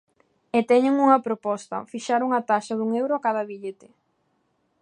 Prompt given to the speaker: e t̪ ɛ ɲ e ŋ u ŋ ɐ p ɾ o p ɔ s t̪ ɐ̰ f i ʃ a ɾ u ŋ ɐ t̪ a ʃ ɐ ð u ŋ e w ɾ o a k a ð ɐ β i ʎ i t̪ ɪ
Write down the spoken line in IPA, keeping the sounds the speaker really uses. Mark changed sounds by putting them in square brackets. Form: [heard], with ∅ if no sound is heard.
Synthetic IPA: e t̪ ɛ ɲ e ŋ u ŋ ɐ p ɾ o p ɔ s t̪ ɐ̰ f i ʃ a ɾ u ŋ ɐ t̪ a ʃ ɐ ð u ŋ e w ɾ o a k a ð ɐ β i ʎ [e] t̪ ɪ